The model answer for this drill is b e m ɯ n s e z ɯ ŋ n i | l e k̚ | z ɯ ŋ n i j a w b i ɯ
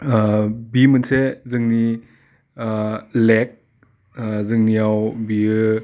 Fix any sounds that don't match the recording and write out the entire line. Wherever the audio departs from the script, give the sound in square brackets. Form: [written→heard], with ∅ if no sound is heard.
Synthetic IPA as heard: b [e→i] m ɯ n s e z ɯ ŋ n i | l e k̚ | z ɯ ŋ n i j a w b i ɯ